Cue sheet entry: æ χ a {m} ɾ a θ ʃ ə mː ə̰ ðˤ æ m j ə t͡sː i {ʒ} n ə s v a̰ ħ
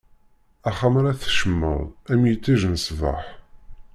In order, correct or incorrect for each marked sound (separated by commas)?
correct, correct